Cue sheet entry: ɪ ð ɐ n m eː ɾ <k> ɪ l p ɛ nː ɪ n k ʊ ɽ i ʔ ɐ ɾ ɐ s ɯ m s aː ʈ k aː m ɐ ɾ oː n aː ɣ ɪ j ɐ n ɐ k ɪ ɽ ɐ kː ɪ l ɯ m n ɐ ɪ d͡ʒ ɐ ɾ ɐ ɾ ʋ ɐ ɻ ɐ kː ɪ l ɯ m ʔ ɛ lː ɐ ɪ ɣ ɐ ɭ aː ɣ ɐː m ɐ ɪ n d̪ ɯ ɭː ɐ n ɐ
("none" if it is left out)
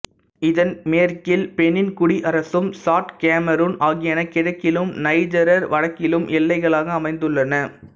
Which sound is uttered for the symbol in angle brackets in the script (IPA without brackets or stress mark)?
k